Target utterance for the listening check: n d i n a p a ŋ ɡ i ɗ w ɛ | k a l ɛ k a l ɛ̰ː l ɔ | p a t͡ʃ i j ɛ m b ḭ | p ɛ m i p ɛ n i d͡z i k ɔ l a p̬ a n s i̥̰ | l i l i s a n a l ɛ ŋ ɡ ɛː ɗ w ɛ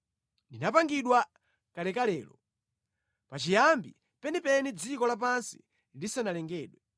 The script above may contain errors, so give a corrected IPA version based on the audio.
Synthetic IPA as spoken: n d i n a p a ŋ ɡ i ɗ w a | k a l ɛ k a l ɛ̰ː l ɔ | p a t͡ʃ i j a m b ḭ | p ɛ n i p ɛ n i d͡z i k ɔ l a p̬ a n s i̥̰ | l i l i s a n a l ɛ ŋ ɡ ɛː ɗ w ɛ